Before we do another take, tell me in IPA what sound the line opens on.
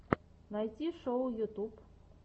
n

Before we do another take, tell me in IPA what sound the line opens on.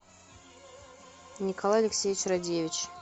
nʲ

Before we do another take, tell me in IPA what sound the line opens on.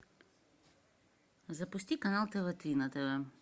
z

